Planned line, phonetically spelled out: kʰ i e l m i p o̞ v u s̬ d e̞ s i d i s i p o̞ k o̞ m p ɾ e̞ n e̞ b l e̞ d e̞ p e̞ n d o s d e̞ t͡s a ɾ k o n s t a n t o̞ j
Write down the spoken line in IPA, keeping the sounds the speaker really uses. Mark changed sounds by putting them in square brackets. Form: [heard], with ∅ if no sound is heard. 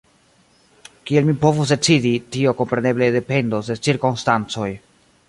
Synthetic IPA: [k] i e l m i p o̞ v u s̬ d e̞ [t͡s] i d i [t] i [∅] o̞ k o̞ m p ɾ e̞ n e̞ b l e̞ d e̞ p e̞ n d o s d e̞ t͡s [i] ɾ k o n s t a n [t͡s] o̞ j